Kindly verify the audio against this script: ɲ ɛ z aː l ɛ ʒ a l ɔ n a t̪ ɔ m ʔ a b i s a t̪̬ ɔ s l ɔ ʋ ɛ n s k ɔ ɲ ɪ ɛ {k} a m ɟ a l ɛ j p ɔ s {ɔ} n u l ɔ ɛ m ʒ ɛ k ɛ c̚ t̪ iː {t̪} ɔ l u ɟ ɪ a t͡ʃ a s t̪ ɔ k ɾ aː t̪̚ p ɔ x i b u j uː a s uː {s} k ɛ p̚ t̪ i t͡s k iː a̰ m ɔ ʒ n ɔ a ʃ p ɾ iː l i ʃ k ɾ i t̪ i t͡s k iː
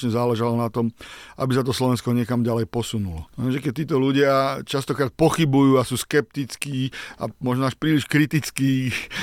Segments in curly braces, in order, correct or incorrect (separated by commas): correct, incorrect, correct, correct